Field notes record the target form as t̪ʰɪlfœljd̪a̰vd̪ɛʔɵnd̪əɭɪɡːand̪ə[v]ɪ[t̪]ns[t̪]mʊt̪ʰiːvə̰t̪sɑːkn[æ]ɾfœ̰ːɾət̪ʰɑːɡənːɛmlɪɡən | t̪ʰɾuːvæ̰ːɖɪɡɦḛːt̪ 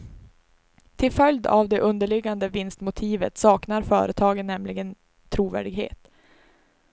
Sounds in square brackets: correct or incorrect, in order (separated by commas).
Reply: correct, incorrect, correct, incorrect